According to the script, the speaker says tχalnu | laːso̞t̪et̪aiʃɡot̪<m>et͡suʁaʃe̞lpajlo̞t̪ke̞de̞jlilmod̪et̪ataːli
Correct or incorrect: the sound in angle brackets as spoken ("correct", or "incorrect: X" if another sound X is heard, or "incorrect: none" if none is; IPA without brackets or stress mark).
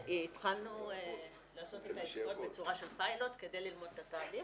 incorrect: b